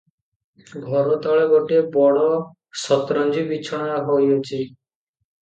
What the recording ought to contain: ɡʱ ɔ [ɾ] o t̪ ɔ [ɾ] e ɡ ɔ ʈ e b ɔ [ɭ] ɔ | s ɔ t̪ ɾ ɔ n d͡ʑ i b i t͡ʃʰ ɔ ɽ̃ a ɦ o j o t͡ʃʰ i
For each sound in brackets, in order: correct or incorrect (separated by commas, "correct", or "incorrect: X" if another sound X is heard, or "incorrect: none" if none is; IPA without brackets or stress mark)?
correct, incorrect: ɭ, incorrect: ɽ